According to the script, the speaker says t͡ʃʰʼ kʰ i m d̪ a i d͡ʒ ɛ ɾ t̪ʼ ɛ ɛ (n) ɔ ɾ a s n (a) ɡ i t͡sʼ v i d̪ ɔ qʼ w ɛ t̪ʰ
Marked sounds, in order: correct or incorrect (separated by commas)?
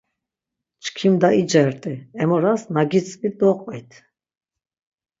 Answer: incorrect, correct